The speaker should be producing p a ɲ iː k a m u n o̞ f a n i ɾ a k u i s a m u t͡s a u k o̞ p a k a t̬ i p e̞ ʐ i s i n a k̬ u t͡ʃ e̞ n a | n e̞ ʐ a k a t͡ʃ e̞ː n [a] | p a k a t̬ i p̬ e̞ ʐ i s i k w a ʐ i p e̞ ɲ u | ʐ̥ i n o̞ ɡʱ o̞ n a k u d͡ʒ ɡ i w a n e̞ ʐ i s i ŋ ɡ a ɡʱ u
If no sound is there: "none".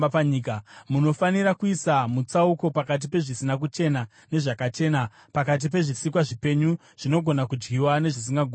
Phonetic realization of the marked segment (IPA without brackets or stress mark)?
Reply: a